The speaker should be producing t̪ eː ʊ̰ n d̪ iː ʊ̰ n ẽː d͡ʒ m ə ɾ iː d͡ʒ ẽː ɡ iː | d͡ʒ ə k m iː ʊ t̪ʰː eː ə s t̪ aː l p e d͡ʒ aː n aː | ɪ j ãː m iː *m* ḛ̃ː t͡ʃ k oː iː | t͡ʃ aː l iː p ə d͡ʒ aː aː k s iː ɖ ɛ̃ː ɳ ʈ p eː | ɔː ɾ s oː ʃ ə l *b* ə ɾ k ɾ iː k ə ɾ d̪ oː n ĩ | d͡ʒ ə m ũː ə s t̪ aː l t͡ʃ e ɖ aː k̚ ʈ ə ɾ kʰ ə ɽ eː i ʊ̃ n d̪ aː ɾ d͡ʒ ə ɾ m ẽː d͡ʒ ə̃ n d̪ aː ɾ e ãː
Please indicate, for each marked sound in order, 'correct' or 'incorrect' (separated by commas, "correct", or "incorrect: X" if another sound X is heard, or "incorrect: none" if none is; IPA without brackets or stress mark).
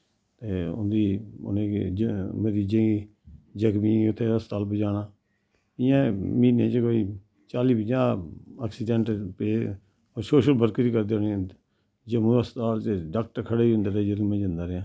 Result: incorrect: n, correct